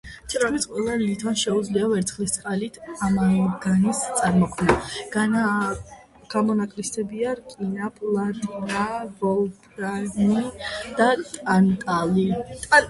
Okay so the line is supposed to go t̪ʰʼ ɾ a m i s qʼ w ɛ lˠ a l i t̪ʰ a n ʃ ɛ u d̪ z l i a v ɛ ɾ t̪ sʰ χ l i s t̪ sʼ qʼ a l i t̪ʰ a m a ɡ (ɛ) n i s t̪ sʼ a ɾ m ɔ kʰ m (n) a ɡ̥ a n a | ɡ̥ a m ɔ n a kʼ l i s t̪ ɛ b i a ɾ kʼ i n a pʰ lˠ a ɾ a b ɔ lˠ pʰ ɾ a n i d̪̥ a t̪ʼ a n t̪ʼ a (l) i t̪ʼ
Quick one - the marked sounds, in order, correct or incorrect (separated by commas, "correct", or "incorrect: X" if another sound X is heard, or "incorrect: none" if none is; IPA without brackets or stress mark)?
incorrect: a, correct, correct